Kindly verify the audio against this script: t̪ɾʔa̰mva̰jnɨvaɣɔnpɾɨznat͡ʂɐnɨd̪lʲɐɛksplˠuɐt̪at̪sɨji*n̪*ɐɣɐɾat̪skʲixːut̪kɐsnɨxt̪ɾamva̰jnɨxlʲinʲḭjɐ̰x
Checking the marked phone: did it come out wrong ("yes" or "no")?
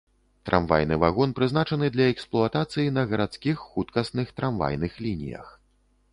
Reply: no